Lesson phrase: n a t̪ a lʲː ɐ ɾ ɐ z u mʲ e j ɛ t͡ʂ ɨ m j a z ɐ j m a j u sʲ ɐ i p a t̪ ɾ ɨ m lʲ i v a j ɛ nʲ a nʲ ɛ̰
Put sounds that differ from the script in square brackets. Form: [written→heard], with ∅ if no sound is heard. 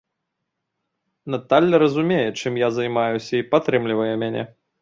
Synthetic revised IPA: n a t̪ a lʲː ɐ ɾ ɐ z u mʲ e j ɛ t͡ʂ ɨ m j a z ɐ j m a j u sʲ ɐ i p a t̪ ɾ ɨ m lʲ i v [a→ɐ] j ɛ [nʲ→mʲ] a nʲ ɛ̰